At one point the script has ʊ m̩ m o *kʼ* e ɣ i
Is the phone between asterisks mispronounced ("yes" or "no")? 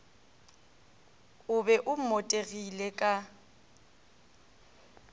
yes